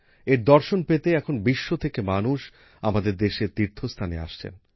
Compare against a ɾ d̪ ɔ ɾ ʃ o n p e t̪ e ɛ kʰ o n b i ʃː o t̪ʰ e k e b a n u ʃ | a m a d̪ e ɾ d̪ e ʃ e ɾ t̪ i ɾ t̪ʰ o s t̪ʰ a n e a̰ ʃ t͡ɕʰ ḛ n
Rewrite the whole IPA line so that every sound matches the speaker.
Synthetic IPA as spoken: e ɾ d̪ ɔ ɾ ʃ o n p e t̪ e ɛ kʰ o n b i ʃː o t̪ʰ e k e m a n u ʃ | a m a d̪ e ɾ d̪ e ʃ e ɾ t̪ i ɾ t̪ʰ o s t̪ʰ a n e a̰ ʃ t͡ɕʰ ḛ n

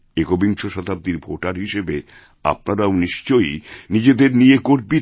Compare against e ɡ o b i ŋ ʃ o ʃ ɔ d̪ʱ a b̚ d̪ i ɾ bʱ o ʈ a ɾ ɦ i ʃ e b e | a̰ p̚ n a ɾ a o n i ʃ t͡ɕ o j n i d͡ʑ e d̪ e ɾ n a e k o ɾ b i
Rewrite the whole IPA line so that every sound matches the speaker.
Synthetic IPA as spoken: e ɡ o b i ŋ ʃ o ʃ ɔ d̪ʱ a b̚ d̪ i ɾ bʱ o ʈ a ɾ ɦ i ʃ e b e | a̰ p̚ n a ɾ a o n i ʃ t͡ɕ o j n i d͡ʑ e d̪ e ɾ n i e k o ɾ b i

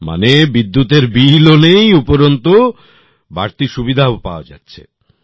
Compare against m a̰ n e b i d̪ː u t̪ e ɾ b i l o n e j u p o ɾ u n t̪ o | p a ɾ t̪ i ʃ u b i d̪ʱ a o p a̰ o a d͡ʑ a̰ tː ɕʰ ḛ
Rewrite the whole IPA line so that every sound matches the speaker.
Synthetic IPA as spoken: m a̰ n e b i d̪ː u t̪ e ɾ b i l o n e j u p o ɾ o n t̪ o | b a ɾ t̪ i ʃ u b i d̪ʱ a o p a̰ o a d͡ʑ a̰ tː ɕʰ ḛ

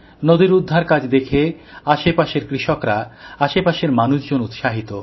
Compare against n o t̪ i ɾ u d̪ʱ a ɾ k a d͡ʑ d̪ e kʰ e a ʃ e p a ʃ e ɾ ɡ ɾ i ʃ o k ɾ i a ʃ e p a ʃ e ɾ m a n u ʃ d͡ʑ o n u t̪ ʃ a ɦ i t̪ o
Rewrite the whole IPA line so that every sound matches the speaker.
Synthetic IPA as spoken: n o d̪ i ɾ u d̪ʱː a ɾ k a d͡ʑ d̪ e kʰ e a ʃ e p a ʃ e ɾ k ɾ i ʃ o k ɾ a a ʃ e p a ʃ e ɾ m a n u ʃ d͡ʑ o n u t̪ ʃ a ɦ i t̪ o

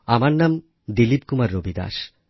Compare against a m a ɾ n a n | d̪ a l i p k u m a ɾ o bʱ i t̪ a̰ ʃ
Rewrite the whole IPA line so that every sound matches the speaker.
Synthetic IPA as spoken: a m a ɾ n a m | d̪ i l i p k u m a ɾː o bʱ i d̪ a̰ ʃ

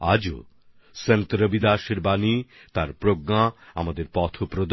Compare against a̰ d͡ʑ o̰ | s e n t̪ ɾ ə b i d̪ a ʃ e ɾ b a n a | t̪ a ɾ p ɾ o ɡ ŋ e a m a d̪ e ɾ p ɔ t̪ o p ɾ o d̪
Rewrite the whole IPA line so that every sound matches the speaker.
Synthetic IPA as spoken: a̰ d͡ʑ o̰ | s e n t̪ ɾ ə b i d̪ a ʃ e ɾ b a n i | t̪ a ɾ p ɾ o ɡ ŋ a a m a d̪ e ɾ p ɔ t̪ʰ o p ɾ o d̪

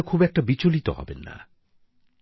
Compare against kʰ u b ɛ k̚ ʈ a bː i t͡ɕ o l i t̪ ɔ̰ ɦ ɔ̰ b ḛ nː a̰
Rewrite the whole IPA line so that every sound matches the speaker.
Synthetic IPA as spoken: kʰ u b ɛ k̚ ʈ a b i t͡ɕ o l i t̪ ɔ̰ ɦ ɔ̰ b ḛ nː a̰

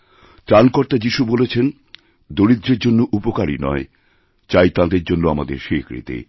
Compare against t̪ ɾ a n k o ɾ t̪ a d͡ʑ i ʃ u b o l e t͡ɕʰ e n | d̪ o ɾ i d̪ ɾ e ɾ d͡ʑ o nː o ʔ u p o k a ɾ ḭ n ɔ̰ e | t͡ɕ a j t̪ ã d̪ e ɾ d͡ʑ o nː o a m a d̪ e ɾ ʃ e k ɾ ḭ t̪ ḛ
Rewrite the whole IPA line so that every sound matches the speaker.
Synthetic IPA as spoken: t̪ ɾ a n k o ɾ t̪ a d͡ʑ i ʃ u b o l e t͡ɕʰ e n | d̪ o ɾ i d̪ ɾ e ɾ d͡ʑ o nː o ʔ u p o k a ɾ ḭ n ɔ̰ e | t͡ɕ a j t̪ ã d̪ e ɾ d͡ʑ o nː o a m a d̪ e ɾ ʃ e k ɾ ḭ t̪ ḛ

